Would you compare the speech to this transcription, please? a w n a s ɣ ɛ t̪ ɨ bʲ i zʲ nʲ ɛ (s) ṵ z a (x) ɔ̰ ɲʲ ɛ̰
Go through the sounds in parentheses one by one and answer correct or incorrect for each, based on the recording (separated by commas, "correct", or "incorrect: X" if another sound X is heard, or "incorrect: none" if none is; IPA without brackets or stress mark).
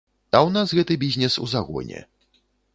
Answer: correct, incorrect: ɣ